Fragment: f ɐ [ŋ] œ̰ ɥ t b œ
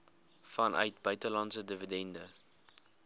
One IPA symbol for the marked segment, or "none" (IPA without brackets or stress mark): n